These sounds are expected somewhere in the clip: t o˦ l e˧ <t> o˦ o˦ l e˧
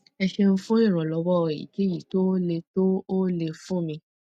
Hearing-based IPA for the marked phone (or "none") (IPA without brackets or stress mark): t